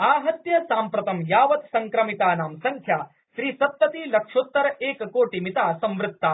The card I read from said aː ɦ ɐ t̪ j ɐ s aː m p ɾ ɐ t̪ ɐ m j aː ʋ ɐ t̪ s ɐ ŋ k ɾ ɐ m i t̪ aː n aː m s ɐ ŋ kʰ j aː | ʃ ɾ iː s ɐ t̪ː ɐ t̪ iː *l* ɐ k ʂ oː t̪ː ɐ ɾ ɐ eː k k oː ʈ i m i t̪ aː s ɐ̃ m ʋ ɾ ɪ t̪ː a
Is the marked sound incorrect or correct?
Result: correct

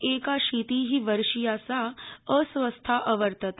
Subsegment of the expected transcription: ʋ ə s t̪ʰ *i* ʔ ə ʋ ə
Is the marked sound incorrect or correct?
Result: incorrect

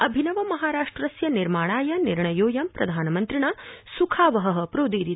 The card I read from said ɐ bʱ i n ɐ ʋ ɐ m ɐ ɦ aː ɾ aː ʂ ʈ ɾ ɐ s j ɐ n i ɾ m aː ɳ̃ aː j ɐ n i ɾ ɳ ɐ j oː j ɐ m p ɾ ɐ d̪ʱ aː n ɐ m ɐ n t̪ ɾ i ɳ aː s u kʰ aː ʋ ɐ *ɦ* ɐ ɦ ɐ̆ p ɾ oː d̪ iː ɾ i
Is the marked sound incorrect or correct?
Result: correct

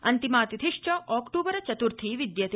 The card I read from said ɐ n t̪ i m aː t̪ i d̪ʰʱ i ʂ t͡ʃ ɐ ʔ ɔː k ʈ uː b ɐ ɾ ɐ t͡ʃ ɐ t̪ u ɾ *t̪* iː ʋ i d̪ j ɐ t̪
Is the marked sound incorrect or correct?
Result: incorrect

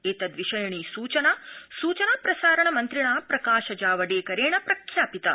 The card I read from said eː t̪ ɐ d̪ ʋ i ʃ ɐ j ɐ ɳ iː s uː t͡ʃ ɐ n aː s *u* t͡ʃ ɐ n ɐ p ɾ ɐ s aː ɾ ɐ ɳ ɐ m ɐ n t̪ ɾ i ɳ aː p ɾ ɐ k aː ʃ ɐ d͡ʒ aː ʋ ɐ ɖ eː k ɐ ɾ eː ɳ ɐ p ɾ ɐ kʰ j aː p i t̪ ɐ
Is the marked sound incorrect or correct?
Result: incorrect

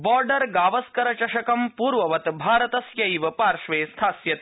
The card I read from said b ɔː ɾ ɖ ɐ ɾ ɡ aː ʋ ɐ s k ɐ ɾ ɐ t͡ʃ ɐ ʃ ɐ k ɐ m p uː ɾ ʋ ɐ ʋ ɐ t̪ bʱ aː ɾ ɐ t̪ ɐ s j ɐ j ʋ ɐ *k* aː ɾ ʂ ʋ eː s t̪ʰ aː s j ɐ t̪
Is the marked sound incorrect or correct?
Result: incorrect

